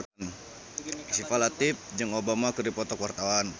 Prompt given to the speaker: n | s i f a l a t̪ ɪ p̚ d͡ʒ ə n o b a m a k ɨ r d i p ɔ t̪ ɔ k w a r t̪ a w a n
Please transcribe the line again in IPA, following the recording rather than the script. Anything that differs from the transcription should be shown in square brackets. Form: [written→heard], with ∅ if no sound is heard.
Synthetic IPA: n | s i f a l a t̪ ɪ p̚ d͡ʒ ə [n→ŋ] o b a m a k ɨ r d i p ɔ t̪ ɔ k w a r t̪ a w a n

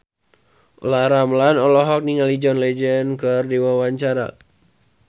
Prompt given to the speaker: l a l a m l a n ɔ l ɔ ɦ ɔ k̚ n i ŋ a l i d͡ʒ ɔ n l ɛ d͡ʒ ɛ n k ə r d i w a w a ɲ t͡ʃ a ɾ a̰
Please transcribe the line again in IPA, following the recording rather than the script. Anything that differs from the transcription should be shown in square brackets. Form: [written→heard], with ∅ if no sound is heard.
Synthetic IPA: l a [l→ɾ] a m l a n ɔ l ɔ ɦ ɔ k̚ n i ŋ a l i d͡ʒ ɔ n l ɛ d͡ʒ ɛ n k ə r d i w a w a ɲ t͡ʃ a ɾ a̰

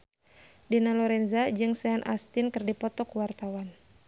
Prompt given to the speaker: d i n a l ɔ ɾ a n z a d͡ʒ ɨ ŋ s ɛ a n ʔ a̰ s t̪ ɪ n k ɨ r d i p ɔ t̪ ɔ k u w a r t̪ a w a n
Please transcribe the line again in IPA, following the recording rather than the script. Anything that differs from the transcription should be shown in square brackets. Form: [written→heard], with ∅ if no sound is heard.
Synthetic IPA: d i n a l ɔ ɾ [a→ɛ] n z a d͡ʒ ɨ ŋ s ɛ a n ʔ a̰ s t̪ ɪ n k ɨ r d i p ɔ t̪ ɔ k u w a r t̪ a w a n

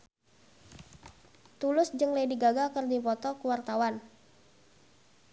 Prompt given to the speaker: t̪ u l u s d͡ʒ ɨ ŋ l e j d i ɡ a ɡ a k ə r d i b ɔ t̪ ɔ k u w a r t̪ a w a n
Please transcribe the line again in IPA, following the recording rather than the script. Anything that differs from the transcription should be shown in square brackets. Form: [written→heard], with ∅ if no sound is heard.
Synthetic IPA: t̪ u l [u→ʊ] s d͡ʒ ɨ ŋ l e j d i ɡ a ɡ a k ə r d i [b→p] ɔ t̪ ɔ k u w a r t̪ a w a n

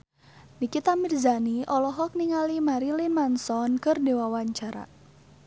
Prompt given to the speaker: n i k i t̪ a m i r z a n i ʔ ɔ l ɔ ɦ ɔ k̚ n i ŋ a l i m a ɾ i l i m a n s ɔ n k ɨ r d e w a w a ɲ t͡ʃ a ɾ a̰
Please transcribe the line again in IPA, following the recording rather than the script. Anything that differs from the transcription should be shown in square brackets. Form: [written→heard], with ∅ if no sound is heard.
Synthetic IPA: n i k i t̪ a m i r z a n i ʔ ɔ l ɔ ɦ ɔ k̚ n i ŋ a l i m a ɾ i l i m a n s ɔ n k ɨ r d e w a w a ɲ t͡ʃ a ɾ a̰

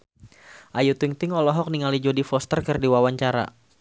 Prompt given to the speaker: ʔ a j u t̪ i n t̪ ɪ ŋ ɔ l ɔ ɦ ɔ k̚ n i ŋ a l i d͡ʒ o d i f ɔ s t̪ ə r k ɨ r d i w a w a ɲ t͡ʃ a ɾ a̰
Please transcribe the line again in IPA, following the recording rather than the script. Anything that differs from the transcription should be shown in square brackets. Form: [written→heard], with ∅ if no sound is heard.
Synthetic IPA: ʔ a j u t̪ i [n→ŋ] t̪ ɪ ŋ ɔ l ɔ ɦ ɔ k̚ n i ŋ a l i d͡ʒ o d i f ɔ s t̪ ə r k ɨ r d i w a w a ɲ t͡ʃ a ɾ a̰

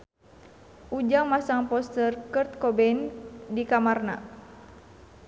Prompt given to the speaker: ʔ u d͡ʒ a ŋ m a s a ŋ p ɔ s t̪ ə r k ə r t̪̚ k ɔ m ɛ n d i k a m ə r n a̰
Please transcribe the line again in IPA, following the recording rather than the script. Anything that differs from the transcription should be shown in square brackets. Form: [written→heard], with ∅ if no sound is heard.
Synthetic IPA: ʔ u d͡ʒ a ŋ m a s a ŋ p ɔ s t̪ ə r k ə r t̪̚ k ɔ [m→b] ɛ n d i k a m [ə→a] r n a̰

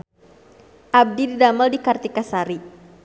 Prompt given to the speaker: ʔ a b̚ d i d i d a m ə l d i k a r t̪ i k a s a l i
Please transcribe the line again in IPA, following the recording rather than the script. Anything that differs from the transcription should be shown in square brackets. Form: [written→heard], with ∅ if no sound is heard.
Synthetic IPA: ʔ a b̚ d i d i d a m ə l d i k a r t̪ i k a s a [l→ɾ] i

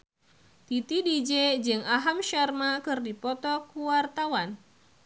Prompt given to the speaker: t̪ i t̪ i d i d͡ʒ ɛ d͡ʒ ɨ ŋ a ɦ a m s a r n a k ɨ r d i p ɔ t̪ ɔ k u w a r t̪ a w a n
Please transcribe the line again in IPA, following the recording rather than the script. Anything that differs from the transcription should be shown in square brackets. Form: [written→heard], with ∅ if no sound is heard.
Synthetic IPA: t̪ i t̪ i d i d͡ʒ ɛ d͡ʒ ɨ ŋ a ɦ a m [s→ʃ] a r [n→m] a k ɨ r d i p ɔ t̪ ɔ k u w a r t̪ a w a n

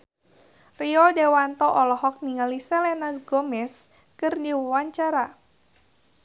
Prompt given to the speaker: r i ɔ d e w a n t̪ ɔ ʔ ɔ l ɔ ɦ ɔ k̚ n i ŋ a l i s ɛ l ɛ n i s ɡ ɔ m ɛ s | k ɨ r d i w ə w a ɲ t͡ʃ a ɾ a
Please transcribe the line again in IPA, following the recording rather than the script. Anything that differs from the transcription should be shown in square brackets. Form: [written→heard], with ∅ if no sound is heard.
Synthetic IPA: r i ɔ d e w a n t̪ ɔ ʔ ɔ l ɔ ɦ ɔ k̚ n i ŋ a l i s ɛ l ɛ n [i→a] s ɡ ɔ m ɛ s | k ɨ r d i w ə w a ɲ t͡ʃ a ɾ a

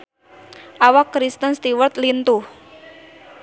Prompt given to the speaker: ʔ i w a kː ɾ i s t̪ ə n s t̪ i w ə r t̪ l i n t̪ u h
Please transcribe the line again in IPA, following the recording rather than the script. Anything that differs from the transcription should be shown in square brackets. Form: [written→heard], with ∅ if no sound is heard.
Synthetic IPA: ʔ [i→a] w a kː ɾ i s t̪ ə n s t̪ i w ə r t̪ l i n t̪ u h

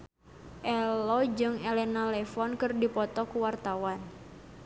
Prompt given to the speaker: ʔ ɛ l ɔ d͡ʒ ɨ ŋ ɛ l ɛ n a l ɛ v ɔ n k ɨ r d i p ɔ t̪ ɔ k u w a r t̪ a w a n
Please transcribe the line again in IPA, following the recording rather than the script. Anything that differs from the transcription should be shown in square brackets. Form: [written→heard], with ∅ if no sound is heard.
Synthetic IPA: ʔ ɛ l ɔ d͡ʒ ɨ ŋ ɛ l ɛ n a l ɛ [v→f] ɔ n k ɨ r d i p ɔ t̪ ɔ k u w a r t̪ a w a n

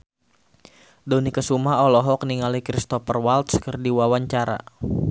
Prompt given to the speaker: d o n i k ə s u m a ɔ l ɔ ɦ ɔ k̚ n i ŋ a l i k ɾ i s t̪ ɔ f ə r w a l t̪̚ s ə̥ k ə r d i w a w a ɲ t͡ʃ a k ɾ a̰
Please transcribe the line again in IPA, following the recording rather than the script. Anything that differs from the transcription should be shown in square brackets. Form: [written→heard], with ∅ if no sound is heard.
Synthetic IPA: d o n i k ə s u m a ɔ l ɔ ɦ ɔ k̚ n i ŋ a l i k ɾ i s t̪ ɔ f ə r w a l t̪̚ s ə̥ k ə r d i w a w a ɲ t͡ʃ a [k→∅] ɾ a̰

